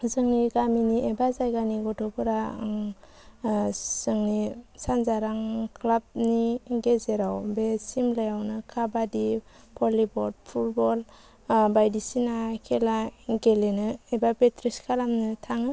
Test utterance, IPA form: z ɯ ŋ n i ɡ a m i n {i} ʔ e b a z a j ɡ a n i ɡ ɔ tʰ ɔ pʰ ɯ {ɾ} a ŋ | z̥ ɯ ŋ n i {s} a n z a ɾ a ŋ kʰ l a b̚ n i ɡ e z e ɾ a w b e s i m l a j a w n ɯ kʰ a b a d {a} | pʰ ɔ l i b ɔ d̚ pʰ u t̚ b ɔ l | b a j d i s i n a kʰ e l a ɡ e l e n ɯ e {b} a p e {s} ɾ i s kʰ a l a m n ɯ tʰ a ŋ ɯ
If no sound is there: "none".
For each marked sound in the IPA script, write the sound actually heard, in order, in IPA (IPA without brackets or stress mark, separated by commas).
i, ɾ, s, i, b, t